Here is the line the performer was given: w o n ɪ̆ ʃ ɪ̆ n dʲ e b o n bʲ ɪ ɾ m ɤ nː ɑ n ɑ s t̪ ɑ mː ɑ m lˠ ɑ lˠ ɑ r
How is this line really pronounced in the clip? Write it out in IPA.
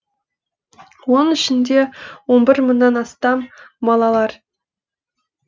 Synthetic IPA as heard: w o n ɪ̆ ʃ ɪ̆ n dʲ e w o n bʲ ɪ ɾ m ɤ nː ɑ n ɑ s t̪ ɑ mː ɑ lˠ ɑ lˠ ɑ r